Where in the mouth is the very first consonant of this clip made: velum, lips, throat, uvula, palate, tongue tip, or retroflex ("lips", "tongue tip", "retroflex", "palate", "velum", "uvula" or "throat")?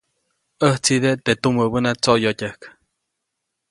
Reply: throat